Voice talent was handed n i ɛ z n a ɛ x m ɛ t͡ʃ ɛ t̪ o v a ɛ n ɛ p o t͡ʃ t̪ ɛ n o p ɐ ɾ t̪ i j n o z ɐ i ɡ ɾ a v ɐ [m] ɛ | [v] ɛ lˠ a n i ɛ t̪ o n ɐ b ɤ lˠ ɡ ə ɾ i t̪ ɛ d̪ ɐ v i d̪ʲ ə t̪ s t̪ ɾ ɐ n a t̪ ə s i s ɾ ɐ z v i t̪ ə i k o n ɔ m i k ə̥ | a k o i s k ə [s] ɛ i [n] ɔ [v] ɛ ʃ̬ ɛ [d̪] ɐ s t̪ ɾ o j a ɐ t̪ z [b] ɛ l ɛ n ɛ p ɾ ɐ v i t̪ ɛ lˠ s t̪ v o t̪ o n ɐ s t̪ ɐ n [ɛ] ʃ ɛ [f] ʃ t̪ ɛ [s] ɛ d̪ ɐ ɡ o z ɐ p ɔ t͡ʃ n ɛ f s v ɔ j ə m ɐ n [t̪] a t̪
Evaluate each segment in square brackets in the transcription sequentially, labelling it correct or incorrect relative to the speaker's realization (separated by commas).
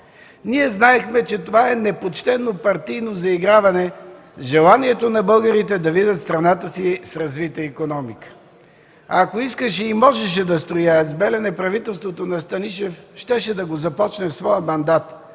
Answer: incorrect, incorrect, incorrect, incorrect, incorrect, correct, correct, incorrect, correct, incorrect, incorrect